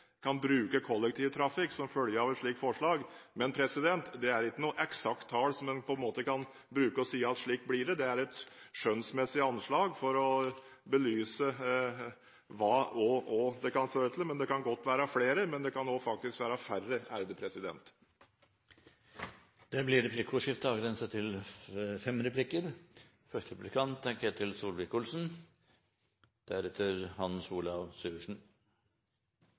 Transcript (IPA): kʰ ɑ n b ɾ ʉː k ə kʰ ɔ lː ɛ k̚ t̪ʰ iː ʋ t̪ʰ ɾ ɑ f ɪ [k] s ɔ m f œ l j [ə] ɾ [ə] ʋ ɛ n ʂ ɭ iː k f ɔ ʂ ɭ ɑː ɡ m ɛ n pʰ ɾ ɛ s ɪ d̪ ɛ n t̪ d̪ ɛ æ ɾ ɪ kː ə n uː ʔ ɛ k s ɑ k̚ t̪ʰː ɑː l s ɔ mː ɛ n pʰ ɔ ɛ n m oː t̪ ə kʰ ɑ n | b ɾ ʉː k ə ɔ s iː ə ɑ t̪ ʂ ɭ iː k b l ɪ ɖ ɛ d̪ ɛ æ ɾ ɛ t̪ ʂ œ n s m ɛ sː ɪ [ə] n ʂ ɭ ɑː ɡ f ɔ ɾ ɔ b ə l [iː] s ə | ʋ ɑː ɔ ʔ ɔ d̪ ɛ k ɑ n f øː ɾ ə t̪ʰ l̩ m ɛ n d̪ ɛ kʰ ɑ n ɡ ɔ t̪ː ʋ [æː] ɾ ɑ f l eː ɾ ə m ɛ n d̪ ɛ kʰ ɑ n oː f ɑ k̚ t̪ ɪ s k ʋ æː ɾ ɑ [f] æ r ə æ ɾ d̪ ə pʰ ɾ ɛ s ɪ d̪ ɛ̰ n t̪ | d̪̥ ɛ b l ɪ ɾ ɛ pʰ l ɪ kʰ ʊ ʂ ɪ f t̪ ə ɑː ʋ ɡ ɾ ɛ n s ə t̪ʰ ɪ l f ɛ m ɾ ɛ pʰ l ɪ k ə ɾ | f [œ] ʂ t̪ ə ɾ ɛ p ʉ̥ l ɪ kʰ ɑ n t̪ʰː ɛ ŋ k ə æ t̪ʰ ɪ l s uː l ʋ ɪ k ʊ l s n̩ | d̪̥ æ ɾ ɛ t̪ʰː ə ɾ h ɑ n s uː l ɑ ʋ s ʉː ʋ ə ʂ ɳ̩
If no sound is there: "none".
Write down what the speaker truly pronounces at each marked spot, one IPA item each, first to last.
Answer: k, ə, ɑ, ɑ, yː, æː, f, œ

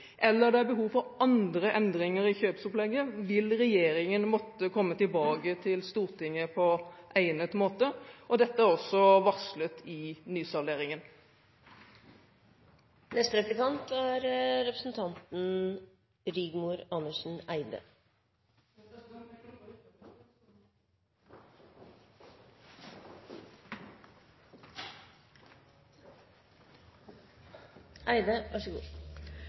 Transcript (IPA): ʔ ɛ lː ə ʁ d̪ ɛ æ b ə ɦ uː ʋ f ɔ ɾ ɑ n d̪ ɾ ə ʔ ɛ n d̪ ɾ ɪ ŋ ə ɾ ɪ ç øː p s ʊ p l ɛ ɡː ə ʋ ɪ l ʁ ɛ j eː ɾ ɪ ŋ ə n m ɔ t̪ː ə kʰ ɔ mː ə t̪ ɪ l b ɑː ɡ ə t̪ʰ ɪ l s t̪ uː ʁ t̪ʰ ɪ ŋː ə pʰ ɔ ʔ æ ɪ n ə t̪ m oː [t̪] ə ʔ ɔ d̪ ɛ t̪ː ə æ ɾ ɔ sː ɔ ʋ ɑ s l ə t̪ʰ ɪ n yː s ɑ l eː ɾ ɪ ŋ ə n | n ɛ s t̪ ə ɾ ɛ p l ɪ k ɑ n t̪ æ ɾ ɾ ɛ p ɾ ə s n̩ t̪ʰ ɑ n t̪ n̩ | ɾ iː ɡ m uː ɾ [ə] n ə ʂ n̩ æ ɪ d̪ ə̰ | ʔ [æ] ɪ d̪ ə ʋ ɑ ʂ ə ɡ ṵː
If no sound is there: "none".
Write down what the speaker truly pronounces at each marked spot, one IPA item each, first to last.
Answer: t̪, ɑ, æ

